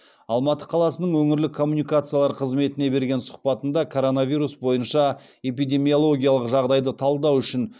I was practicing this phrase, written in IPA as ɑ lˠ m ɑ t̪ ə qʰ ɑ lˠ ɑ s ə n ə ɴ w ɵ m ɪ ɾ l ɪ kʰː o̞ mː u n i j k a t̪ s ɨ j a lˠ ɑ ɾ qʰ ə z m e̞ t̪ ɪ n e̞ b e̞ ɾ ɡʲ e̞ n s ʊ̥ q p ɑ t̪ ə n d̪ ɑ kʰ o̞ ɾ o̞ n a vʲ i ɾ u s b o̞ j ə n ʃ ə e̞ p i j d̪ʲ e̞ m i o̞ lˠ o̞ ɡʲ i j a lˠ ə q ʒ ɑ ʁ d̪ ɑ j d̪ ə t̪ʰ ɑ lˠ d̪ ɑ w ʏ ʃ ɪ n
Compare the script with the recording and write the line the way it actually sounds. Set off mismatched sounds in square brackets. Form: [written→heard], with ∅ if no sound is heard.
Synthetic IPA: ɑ lˠ m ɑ t̪ ə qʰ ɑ lˠ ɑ s ə n ə ɴ w ɵ [m→ŋ] ɪ ɾ l ɪ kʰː o̞ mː u n i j k a t̪ s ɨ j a lˠ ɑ ɾ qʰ ə z m e̞ t̪ ɪ n e̞ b e̞ ɾ ɡʲ e̞ n s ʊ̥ q p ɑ t̪ ə n d̪ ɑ kʰ o̞ ɾ o̞ n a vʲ i ɾ u s b o̞ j ə n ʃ [ə→ɑ] e̞ p i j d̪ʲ e̞ m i o̞ lˠ o̞ ɡʲ i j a lˠ ə q ʒ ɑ ʁ d̪ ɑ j d̪ ə t̪ʰ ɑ lˠ d̪ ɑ w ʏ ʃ ɪ n